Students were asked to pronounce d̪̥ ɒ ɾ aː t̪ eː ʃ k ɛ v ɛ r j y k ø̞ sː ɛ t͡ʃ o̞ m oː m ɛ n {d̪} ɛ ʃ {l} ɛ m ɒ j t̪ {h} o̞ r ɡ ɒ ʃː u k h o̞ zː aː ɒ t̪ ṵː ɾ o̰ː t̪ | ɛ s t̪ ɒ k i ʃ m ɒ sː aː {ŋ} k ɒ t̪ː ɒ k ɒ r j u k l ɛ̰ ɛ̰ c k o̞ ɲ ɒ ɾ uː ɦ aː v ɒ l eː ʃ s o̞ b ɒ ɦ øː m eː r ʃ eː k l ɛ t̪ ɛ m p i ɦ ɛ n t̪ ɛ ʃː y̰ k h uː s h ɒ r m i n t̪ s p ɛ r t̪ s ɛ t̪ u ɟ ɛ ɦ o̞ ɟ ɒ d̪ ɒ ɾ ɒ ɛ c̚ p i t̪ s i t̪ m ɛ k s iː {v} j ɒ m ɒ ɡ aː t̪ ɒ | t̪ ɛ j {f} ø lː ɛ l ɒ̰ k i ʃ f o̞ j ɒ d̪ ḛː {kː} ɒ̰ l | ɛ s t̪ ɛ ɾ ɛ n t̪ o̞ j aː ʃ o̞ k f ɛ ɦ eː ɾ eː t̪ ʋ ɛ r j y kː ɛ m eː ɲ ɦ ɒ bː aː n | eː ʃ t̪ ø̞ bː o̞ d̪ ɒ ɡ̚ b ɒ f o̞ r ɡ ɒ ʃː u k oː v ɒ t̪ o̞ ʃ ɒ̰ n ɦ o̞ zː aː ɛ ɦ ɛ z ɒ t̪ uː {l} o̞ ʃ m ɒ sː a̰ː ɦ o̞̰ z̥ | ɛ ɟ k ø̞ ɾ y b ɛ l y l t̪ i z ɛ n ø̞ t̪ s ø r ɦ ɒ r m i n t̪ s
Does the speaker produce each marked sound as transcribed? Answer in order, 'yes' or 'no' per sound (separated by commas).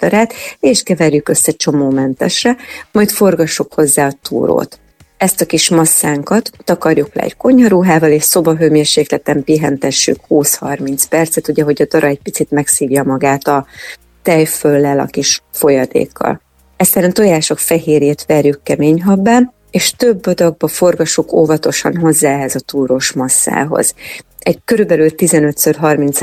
no, no, no, yes, yes, yes, yes, no